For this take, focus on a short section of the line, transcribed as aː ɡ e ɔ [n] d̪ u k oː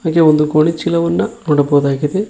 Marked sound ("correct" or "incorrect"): correct